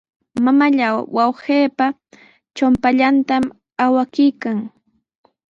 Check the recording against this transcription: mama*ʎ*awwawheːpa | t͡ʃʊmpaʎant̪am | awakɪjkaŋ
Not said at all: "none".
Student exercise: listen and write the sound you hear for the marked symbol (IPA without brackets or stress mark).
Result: ʎ